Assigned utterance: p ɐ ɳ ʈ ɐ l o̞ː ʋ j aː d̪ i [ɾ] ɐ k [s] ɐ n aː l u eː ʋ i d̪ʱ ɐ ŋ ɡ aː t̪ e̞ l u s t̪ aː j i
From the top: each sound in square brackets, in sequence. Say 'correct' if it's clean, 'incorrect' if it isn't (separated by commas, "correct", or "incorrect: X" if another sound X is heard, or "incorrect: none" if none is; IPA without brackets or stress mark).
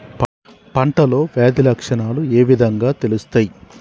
incorrect: l, incorrect: ʂ